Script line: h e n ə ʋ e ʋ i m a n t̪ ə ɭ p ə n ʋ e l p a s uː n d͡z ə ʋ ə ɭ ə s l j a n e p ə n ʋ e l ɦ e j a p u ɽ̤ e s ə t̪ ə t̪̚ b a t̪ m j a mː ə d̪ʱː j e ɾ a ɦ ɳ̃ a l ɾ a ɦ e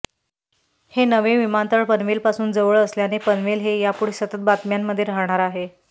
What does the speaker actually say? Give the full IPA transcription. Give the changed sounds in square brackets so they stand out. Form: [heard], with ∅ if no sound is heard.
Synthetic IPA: h e n ə ʋ e ʋ i m a n t̪ ə ɭ p ə n ʋ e l p a s uː n d͡z ə ʋ ə ɭ ə s l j a n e p ə n ʋ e l ɦ e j a p u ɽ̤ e s ə t̪ ə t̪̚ b a t̪ m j a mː ə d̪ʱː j e ɾ a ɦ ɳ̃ a [∅] ɾ a ɦ e

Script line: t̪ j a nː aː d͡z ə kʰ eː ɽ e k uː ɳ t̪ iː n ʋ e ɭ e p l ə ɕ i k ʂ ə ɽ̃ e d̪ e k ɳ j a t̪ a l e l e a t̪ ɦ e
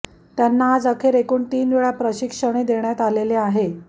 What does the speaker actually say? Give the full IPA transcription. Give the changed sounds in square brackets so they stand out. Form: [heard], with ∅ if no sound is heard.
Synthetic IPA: t̪ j a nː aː d͡z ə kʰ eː [ɾ] e k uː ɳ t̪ iː n ʋ e ɭ [a] p [ɾ] ə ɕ i k ʂ ə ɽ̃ e d̪ e [∅] ɳ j a t̪ a l e l e a [∅] ɦ e

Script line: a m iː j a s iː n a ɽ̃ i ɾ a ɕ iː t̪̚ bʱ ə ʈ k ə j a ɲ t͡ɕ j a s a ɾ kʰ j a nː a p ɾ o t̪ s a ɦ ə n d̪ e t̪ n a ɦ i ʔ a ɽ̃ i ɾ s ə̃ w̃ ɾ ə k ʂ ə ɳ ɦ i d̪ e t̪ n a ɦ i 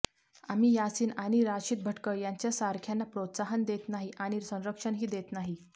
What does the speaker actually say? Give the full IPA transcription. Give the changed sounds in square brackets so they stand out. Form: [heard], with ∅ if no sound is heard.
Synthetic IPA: a m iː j a s iː n a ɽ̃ i ɾ a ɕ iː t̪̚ bʱ ə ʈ k ə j a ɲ t͡ɕ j a s a ɾ kʰ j a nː a p ɾ o t̪ s a ɦ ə n d̪ e t̪ n a ɦ i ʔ a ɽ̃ i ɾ s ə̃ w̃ ɾ ə k ʂ ə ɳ ɦ [iː] d̪ e t̪ n a ɦ i

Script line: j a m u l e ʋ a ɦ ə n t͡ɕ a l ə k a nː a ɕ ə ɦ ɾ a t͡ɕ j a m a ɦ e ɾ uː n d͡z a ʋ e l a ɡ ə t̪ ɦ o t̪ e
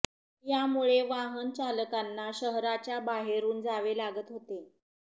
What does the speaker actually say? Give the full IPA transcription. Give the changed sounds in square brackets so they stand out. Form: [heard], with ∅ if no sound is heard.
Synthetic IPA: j a m u [ɭ] e ʋ a ɦ ə n t͡ɕ a l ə k a nː a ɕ ə ɦ ɾ a t͡ɕ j a [b] a ɦ e ɾ uː n d͡z a ʋ e l a ɡ ə t̪ ɦ o t̪ e

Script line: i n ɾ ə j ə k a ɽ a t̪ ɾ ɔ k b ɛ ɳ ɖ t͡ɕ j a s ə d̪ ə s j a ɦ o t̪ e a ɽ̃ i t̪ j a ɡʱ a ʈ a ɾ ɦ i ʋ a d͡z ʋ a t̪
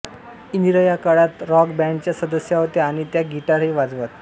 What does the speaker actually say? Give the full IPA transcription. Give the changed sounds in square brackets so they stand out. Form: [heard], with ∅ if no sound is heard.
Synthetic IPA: i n ɾ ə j [a] k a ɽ a t̪ ɾ ɔ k b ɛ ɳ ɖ t͡ɕ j a s ə d̪ ə s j a ɦ o t̪ e a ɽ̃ i t̪ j a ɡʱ [i] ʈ a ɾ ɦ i ʋ a d͡z ʋ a t̪

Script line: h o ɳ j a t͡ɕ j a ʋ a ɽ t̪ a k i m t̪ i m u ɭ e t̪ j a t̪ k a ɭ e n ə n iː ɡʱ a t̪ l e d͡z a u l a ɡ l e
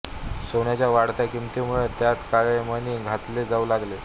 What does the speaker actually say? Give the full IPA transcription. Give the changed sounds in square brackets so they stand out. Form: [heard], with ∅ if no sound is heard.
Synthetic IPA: [s] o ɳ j a t͡ɕ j a ʋ a ɽ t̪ a k i m t̪ i m u ɭ e t̪ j a t̪ k a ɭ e [m] ə n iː ɡʱ a t̪ l e d͡z a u l a ɡ l e

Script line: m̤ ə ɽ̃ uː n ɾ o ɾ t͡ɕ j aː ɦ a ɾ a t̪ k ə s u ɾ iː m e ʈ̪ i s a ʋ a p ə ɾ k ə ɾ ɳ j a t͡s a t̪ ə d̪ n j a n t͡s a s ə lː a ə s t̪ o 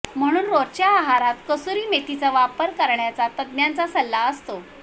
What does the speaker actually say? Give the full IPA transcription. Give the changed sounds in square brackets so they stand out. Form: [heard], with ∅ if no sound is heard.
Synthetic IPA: m̤ ə ɽ̃ uː n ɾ o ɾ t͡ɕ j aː ɦ a ɾ a t̪ k ə s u ɾ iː m e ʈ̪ i [t͡s] a ʋ a p ə ɾ k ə ɾ ɳ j a t͡s a t̪ ə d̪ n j a n t͡s a s ə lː a ə s t̪ o

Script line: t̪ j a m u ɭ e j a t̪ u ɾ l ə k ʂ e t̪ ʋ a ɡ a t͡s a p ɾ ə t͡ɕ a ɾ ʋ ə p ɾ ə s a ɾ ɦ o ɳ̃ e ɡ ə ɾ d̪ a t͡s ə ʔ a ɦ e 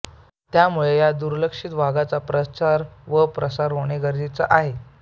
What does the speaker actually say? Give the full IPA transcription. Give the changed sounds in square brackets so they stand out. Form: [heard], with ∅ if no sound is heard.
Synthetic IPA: t̪ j a m u ɭ e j a [d̪] u ɾ l ə k ʂ [i] t̪ ʋ a ɡ a t͡s a p ɾ ə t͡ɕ a ɾ ʋ ə p ɾ ə s a ɾ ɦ o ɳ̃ e ɡ ə ɾ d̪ [i] t͡s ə ʔ a ɦ e

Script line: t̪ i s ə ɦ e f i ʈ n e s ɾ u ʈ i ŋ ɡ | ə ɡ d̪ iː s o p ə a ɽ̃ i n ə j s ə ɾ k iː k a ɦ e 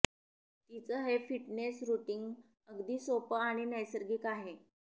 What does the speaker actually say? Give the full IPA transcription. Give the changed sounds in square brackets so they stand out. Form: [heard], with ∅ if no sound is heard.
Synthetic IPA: t̪ i [t͡s] ə ɦ e f i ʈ n e s ɾ u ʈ i ŋ ɡ | ə ɡ d̪ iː s o p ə a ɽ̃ i n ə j s ə ɾ [ɡ] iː k a ɦ e

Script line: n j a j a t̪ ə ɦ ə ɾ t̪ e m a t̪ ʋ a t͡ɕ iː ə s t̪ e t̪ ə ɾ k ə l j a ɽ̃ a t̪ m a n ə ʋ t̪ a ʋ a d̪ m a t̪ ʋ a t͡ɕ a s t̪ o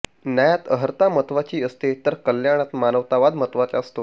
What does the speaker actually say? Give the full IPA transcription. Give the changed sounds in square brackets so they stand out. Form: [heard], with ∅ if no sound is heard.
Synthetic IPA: n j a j a t̪ ə ɦ ə ɾ t̪ [a] m [ə] t̪ ʋ a t͡ɕ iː ə s t̪ e t̪ ə ɾ k ə l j a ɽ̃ a t̪ m a n ə ʋ t̪ a ʋ a d̪ m [ə] t̪ ʋ a t͡ɕ a s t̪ o

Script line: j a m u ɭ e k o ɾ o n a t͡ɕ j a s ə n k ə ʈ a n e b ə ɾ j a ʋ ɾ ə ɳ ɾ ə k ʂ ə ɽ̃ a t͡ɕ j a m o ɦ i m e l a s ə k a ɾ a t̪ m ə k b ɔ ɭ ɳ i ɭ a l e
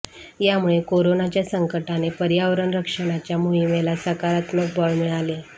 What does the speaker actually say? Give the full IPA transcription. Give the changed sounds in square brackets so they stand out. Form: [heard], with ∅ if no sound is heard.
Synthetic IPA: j a m u ɭ e k o ɾ o n a t͡ɕ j a s ə [ŋ] k ə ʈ a n e [p] ə ɾ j a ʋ ɾ ə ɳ ɾ ə k ʂ ə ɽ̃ a t͡ɕ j a m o ɦ i m e l a s ə k a ɾ a t̪ m ə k b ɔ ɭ [m] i ɭ a l e

